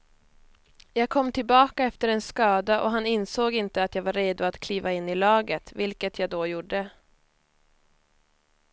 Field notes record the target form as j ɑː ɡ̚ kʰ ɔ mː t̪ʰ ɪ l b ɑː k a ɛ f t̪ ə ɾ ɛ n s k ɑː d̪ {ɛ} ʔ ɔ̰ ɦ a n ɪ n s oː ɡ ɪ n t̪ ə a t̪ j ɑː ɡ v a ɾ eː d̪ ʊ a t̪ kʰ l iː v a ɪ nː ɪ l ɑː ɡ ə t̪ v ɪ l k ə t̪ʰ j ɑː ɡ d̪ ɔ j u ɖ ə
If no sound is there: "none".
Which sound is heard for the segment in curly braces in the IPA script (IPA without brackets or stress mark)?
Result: a